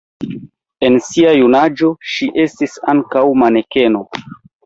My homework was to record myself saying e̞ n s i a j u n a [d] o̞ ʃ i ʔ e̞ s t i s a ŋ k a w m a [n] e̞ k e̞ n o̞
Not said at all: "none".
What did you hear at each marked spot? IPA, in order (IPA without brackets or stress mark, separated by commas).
d͡ʒ, n